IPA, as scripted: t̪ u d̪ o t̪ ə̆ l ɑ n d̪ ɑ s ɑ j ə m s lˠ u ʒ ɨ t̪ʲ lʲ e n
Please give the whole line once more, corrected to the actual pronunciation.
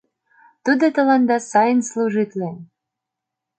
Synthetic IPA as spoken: t̪ u d̪ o t̪ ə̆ l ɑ n d̪ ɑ s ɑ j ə n s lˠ u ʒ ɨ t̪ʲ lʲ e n